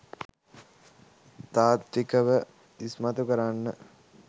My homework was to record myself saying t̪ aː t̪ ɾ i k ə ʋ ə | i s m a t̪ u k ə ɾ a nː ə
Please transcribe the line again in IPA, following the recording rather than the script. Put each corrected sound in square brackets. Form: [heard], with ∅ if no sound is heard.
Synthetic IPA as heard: t̪ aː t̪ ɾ i k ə ʋ ə | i s m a t̪ u k ə ɾ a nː ə